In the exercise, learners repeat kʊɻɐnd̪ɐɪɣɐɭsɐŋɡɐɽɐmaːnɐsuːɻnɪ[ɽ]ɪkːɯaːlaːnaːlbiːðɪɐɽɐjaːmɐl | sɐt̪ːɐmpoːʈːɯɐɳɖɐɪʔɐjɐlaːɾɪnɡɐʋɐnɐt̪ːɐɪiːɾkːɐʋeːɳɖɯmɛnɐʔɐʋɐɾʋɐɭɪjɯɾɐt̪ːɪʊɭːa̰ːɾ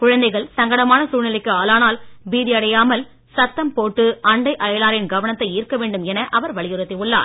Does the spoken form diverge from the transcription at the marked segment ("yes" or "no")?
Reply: yes